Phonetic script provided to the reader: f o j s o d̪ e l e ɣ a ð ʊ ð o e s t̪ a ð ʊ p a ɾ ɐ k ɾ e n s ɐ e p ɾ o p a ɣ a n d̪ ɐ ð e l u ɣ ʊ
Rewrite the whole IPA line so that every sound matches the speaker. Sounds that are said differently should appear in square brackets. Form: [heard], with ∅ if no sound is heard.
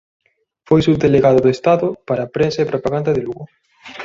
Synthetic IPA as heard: f o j s [u] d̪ e l e ɣ a ð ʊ ð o e s t̪ a ð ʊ p a ɾ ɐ [p] ɾ e n s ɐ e p ɾ o p a ɣ a n d̪ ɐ ð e l u ɣ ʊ